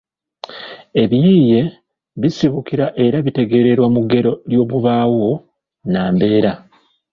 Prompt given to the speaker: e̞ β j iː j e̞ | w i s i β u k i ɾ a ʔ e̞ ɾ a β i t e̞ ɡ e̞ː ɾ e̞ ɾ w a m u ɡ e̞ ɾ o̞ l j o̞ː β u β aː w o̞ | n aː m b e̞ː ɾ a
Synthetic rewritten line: e̞ β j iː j e̞ | β i s i β u k i ɾ a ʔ e̞ ɾ a β i t e̞ ɡ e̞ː ɾ e̞ ɾ w a m u ɡ e̞ ɾ o̞ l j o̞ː β u β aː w o̞ | n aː m b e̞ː ɾ a